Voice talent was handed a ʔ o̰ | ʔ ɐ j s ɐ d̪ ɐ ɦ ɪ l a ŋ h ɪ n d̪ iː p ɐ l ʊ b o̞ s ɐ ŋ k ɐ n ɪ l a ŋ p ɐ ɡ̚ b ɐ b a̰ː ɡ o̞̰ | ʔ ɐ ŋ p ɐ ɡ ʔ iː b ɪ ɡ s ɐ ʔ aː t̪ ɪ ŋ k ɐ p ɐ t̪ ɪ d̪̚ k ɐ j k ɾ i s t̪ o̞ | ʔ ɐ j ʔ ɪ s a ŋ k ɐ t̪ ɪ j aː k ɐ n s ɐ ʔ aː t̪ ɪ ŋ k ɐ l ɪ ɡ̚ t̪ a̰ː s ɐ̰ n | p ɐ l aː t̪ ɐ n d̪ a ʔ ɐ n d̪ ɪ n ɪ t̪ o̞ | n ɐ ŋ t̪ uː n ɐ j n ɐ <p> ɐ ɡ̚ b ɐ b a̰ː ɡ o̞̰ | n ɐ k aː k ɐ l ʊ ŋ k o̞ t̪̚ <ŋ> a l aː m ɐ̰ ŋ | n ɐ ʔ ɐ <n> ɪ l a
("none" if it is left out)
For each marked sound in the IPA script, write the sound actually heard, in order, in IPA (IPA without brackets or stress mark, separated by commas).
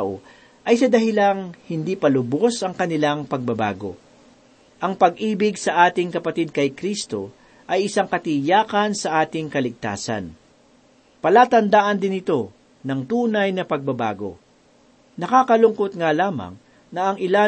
p, ŋ, ŋ